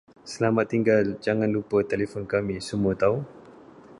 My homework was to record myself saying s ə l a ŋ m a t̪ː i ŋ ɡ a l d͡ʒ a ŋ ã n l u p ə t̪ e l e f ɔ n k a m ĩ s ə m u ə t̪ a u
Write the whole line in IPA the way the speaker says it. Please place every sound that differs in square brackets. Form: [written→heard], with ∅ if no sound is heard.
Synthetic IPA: s ə l a [ŋ→∅] m a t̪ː i ŋ ɡ a l d͡ʒ a ŋ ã n l u p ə t̪ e l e f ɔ n k a m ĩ s ə m u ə t̪ a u